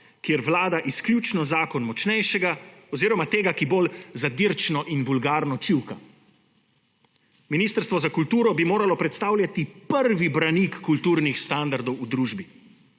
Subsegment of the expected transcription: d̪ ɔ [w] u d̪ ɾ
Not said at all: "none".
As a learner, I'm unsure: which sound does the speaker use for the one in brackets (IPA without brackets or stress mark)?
w